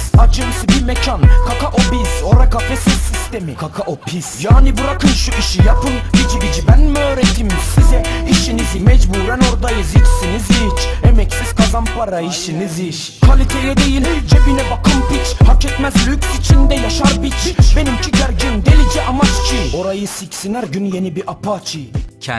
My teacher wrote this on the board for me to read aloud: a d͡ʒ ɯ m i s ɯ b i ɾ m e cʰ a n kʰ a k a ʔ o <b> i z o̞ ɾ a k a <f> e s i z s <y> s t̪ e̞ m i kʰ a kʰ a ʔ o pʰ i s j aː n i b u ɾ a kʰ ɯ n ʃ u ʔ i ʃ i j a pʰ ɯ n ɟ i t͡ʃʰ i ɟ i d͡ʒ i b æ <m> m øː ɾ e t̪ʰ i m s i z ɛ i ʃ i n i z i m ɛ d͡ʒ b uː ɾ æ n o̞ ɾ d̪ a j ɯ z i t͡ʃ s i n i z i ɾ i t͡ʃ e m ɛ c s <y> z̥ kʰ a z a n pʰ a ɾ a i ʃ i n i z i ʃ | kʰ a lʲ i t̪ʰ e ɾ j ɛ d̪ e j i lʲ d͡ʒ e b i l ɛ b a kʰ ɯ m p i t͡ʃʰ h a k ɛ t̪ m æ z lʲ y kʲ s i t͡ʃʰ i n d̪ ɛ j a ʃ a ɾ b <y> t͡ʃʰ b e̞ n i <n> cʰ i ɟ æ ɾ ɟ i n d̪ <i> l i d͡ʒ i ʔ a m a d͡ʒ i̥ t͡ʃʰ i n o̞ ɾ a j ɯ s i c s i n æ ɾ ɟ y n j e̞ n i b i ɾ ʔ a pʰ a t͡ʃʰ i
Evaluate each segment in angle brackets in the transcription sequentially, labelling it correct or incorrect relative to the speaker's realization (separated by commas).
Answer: correct, correct, incorrect, incorrect, incorrect, incorrect, incorrect, incorrect